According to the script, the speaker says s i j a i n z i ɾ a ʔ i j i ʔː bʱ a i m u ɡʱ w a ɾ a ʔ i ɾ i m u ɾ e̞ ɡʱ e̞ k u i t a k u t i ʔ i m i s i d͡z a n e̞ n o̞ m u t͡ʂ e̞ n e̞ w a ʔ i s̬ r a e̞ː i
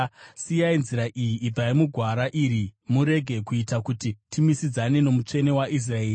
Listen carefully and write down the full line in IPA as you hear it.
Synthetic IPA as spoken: s i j a i n z i ɾ a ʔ i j i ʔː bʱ a i m u ɡʱ w a ɾ a ʔ i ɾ i m u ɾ e̞ ɡʱ e̞ k u i t a k u t i t i m i s i d͡z a n e̞ n o̞ m u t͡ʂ e̞ n e̞ w a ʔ i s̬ r a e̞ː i